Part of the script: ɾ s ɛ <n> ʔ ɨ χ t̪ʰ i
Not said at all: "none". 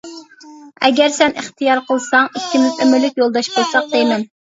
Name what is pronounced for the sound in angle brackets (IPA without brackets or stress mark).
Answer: n